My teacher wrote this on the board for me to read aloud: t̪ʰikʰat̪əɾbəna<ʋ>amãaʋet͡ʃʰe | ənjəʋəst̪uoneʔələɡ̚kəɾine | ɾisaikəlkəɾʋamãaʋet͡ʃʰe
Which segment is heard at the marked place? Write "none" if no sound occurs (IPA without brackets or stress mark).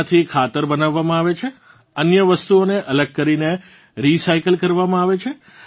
ʋː